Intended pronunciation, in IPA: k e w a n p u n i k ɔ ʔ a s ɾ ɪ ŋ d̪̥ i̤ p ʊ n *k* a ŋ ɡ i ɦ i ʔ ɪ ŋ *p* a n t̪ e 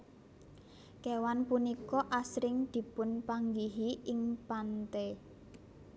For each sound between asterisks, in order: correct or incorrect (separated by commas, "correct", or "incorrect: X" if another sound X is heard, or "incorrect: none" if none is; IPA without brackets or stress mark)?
incorrect: p, correct